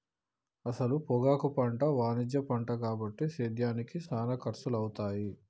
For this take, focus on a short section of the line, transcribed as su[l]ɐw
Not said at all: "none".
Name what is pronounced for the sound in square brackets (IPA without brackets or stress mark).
l